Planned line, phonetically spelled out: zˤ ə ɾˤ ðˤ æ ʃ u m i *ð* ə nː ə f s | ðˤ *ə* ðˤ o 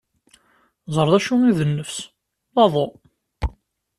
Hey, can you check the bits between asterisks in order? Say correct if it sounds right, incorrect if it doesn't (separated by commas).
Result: correct, incorrect